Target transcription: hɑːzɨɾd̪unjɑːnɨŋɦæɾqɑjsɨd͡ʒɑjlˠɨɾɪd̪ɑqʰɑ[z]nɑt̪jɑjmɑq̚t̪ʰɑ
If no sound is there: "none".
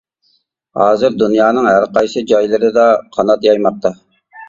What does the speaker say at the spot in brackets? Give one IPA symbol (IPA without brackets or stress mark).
none